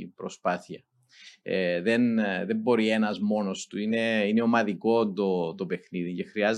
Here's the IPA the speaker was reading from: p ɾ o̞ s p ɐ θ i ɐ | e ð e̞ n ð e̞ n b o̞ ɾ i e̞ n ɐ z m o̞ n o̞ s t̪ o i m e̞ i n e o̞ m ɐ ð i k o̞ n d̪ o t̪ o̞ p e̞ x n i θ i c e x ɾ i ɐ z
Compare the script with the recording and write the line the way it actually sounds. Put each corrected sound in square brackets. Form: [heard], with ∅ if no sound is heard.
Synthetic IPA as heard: p ɾ o̞ s p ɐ θ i ɐ | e ð e̞ n ð e̞ [m] b o̞ ɾ i e̞ n ɐ z m o̞ n o̞ s t̪ [u] i [n] e̞ i n e o̞ m ɐ ð i k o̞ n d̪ o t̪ o̞ p e̞ x n i [ð] i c e x ɾ i ɐ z